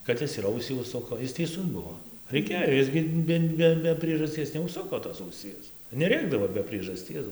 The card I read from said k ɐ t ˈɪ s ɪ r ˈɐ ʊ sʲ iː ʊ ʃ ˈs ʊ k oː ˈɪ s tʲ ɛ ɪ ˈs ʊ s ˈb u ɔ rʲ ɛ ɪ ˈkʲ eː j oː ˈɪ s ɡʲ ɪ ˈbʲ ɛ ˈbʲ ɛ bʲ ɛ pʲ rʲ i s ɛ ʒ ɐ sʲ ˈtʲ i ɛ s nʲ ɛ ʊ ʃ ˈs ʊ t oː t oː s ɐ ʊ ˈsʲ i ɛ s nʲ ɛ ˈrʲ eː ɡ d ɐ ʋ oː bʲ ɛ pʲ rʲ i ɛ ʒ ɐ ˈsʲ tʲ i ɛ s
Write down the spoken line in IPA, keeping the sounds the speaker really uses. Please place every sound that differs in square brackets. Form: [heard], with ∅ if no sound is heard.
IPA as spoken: k ɐ t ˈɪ s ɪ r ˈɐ ʊ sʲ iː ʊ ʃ ˈs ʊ k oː ˈɪ s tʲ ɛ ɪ ˈs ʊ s ˈb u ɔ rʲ ɛ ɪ ˈkʲ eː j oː ˈɪ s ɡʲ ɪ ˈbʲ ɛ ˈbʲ ɛ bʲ ɛ pʲ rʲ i [∅] ɛ ʒ ɐ sʲ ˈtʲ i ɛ s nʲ ɛ ʊ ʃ ˈs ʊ [k] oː t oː s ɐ ʊ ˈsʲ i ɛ s nʲ ɛ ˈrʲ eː ɡ d ɐ ʋ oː bʲ ɛ pʲ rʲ i ɛ ʒ ɐ ˈsʲ tʲ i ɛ s